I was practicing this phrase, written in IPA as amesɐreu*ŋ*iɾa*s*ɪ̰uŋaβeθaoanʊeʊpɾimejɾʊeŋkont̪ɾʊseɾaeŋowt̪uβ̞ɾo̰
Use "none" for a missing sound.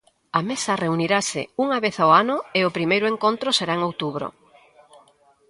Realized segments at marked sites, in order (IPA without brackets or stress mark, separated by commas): n, s